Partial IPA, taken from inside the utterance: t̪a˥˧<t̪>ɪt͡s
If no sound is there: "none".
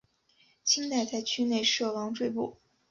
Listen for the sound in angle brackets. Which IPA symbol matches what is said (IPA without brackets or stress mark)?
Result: none